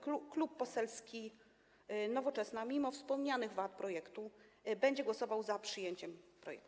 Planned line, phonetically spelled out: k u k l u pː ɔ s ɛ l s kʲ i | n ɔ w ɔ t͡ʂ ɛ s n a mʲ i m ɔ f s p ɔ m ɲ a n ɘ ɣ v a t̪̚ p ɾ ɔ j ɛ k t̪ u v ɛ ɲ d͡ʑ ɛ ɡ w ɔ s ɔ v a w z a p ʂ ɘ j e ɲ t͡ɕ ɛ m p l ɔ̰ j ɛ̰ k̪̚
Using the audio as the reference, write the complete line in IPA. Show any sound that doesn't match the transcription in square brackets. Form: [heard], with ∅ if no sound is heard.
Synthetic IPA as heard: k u k l u pː ɔ s ɛ l s kʲ i | n ɔ [v] ɔ t͡ʂ ɛ s n a mʲ i m ɔ f s p ɔ m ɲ a n ɘ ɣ v a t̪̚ p ɾ ɔ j ɛ k t̪ u [b] ɛ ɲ d͡ʑ ɛ ɡ w ɔ s ɔ v a w z a p ʂ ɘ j e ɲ t͡ɕ ɛ m p [ɾ] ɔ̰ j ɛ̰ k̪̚